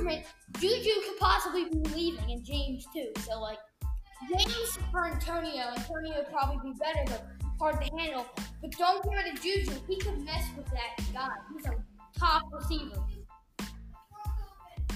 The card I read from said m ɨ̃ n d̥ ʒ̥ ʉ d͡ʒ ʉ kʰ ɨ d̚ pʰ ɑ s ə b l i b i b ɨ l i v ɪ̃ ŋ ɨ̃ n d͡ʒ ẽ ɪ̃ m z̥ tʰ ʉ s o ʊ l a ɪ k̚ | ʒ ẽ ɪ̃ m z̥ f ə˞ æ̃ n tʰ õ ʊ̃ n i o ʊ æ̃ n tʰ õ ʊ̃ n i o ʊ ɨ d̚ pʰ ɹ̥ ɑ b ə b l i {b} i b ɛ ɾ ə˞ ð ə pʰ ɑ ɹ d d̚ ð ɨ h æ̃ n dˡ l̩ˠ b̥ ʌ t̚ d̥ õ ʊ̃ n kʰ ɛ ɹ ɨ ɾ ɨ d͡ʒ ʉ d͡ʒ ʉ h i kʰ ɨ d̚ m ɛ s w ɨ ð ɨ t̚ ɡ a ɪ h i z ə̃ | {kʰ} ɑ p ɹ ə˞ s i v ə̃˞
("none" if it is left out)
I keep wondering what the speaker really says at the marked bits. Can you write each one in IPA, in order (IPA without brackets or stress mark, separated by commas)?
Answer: b, tʰ